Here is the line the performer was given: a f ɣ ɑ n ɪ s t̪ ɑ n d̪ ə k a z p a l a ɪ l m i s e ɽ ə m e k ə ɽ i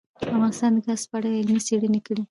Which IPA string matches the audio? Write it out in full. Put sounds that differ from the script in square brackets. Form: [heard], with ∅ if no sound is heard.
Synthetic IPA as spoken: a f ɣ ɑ n ɪ s t̪ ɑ n d̪ ə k a [s] p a [ɽ] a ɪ l m i s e ɽ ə [n] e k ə ɽ i